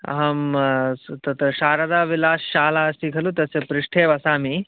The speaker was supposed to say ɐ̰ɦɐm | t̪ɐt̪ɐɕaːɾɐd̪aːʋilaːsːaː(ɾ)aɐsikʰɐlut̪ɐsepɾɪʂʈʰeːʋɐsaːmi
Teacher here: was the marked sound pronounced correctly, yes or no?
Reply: no